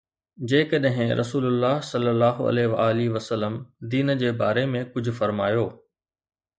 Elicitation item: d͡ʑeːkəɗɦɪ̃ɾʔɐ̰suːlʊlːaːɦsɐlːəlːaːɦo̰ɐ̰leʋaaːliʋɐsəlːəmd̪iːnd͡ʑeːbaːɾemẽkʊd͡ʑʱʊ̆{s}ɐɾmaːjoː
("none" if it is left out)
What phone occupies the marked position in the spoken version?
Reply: f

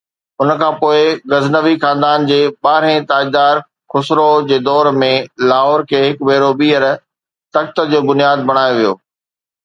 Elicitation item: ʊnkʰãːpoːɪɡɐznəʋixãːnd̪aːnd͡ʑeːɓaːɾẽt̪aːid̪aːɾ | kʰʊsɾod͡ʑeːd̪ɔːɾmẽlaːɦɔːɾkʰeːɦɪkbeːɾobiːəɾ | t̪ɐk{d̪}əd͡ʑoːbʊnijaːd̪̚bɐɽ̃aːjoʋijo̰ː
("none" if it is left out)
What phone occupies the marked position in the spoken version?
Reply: t̪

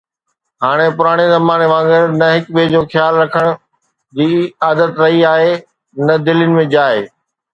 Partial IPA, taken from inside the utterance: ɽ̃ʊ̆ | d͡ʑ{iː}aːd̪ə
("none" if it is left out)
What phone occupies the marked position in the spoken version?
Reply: iː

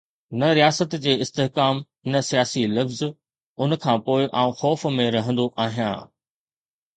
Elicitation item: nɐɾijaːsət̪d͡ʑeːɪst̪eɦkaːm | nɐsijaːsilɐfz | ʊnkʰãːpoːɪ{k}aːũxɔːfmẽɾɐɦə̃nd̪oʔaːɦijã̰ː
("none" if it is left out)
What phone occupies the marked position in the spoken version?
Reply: ʔ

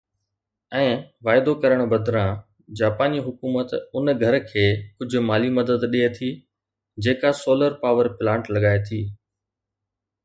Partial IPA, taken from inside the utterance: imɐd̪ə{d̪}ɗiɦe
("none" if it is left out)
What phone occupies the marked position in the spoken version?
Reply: d̪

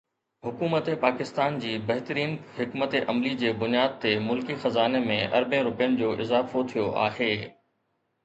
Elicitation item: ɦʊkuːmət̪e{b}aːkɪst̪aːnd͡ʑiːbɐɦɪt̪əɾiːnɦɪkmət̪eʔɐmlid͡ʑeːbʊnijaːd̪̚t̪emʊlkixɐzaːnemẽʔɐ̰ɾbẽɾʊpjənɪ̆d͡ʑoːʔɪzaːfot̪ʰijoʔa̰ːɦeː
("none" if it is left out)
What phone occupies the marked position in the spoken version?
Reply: p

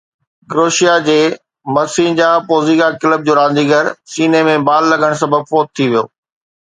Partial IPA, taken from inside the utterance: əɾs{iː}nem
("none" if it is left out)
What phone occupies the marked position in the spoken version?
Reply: iː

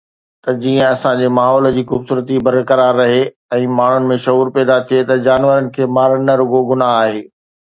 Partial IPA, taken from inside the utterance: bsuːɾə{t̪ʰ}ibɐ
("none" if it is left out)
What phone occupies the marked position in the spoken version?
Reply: t̪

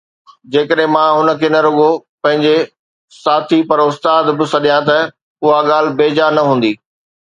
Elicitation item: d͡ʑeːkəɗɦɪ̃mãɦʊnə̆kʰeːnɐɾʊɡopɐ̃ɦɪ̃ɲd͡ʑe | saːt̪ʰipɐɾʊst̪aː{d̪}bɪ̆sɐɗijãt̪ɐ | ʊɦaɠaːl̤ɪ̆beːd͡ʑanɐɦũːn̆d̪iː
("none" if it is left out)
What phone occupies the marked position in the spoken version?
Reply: d̪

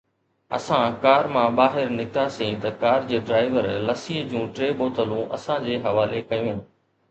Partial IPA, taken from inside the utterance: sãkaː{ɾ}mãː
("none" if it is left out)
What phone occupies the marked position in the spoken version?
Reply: ɾ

